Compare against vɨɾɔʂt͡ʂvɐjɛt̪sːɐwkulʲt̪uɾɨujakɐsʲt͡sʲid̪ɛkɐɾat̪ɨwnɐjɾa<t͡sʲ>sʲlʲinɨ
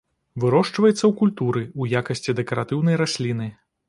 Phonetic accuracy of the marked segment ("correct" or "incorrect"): incorrect